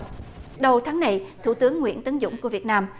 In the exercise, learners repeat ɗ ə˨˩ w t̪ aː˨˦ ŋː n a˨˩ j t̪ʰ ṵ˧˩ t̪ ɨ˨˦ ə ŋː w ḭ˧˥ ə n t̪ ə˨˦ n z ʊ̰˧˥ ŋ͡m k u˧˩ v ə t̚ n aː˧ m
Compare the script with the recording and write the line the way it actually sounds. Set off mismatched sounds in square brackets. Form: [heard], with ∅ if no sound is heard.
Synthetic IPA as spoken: ɗ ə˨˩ w [t̪ʰ] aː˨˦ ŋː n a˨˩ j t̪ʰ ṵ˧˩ t̪ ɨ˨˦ ə ŋː w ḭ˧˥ ə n t̪ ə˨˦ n z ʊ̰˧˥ ŋ͡m k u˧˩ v ə t̚ n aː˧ m